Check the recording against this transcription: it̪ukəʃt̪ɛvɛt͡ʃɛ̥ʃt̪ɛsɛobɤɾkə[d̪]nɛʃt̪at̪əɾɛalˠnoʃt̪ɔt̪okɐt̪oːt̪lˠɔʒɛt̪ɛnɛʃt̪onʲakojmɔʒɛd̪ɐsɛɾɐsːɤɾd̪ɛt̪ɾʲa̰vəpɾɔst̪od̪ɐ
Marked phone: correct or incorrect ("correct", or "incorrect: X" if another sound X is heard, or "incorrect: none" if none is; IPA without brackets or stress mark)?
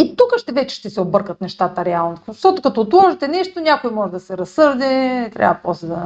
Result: incorrect: t̪